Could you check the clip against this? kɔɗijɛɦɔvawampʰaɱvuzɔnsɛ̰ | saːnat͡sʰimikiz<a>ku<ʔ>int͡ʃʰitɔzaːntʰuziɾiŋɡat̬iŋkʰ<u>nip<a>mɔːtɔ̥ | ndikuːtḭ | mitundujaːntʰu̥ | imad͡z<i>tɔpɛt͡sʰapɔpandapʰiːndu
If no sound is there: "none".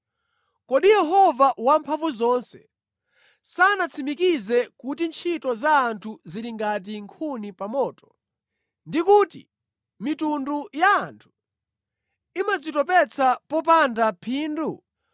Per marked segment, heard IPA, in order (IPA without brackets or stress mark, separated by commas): ɛ, t, u, a, i